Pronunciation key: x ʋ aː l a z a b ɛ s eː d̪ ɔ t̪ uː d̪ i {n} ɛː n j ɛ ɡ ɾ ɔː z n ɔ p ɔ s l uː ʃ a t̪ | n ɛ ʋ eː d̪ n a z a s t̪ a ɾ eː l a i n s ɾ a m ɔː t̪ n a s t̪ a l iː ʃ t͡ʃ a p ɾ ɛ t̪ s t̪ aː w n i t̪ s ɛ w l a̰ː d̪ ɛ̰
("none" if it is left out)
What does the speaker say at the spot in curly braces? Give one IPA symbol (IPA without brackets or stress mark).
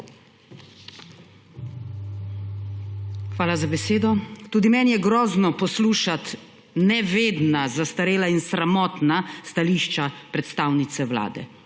m